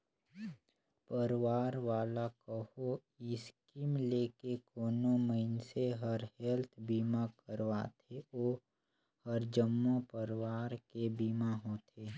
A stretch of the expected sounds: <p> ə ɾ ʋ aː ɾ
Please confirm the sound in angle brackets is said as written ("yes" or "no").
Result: yes